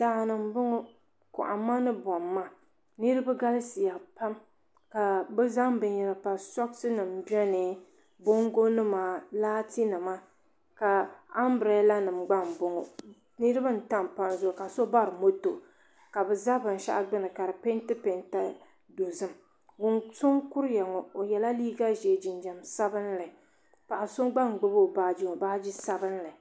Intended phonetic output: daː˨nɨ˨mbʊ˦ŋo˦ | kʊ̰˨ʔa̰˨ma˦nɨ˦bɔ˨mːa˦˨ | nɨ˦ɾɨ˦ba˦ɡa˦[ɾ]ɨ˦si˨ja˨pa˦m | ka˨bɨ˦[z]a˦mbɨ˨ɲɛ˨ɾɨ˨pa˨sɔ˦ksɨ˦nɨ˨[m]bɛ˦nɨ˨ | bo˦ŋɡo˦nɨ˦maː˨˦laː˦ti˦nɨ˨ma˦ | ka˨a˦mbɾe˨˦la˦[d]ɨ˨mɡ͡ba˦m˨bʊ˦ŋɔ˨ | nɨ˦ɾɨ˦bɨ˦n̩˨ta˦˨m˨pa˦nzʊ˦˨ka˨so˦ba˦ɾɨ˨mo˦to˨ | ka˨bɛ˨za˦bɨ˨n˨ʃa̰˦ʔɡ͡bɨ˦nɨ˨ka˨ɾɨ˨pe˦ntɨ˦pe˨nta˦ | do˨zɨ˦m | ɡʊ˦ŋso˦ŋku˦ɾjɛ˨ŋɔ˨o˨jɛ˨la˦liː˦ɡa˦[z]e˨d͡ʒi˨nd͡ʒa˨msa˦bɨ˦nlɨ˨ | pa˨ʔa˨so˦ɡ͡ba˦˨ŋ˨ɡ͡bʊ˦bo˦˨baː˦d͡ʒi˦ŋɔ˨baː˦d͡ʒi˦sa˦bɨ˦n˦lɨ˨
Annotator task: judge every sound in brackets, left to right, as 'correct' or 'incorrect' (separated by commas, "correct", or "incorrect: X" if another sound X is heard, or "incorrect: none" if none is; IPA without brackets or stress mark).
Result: incorrect: l, correct, correct, incorrect: n, incorrect: ʒ